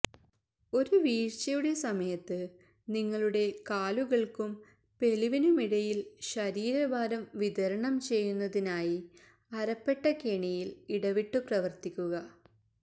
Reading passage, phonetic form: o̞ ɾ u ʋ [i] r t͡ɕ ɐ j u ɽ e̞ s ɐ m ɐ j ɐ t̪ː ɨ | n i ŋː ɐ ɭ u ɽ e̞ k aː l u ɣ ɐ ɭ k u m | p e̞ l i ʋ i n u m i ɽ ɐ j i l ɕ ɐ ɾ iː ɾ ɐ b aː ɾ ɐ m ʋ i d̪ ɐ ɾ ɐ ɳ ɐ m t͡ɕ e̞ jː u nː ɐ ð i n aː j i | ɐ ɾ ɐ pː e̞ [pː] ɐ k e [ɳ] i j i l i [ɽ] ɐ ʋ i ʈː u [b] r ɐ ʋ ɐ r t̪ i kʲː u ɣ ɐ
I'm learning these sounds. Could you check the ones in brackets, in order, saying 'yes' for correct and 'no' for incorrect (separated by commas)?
no, no, yes, yes, no